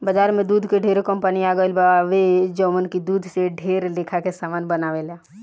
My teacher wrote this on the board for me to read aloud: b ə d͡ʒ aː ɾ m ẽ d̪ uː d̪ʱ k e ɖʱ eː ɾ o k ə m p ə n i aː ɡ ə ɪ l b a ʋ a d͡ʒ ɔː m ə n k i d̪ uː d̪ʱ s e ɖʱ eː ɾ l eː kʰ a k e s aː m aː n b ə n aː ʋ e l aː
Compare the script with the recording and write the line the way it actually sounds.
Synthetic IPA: b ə d͡ʒ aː ɾ m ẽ d̪ uː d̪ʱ k e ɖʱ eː ɾ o k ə m p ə n i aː ɡ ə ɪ l b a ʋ e d͡ʒ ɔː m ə n k i d̪ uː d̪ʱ s e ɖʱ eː ɾ l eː kʰ a k e s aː m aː n b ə n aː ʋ e l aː